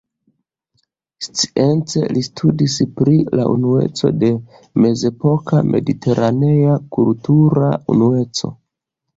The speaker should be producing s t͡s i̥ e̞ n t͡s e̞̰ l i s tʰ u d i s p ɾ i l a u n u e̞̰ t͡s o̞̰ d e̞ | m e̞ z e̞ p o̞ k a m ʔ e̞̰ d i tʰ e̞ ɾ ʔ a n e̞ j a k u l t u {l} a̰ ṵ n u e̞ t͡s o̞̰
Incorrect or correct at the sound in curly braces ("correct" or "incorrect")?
incorrect